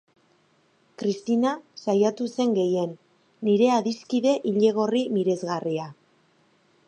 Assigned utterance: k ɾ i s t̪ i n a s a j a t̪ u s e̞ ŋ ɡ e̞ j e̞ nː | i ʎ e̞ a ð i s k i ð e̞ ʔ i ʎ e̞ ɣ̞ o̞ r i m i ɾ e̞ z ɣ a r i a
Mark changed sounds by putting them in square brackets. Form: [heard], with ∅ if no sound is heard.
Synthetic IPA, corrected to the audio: k ɾ i s t̪ i n a s a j a t̪ u s e̞ ŋ ɡ e̞ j e̞ nː | i [ɾ] e̞ a ð i s k i ð e̞ ʔ i ʎ e̞ ɣ̞ o̞ r i m i ɾ e̞ z ɣ a r i a